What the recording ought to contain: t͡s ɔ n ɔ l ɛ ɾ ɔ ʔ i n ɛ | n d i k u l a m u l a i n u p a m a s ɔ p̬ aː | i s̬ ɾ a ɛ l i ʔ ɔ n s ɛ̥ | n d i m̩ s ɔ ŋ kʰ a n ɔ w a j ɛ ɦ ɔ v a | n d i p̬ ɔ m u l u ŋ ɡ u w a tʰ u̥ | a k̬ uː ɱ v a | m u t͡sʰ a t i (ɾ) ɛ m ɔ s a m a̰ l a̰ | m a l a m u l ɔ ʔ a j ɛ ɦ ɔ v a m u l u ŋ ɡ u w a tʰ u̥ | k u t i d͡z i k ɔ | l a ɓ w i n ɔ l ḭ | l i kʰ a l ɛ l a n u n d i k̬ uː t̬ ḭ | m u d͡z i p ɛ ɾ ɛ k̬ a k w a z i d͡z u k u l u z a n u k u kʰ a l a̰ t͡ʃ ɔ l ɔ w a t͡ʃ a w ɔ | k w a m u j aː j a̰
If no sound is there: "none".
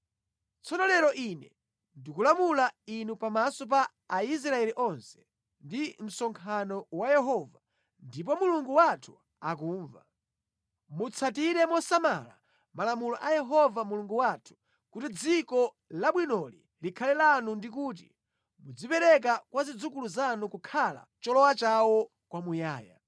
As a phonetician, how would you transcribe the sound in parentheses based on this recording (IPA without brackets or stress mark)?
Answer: ɾ